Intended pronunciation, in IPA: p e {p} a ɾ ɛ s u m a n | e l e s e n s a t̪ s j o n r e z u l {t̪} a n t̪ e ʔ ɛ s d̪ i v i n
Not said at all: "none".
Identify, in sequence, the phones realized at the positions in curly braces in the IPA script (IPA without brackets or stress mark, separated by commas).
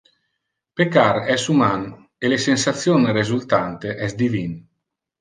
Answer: k, t̪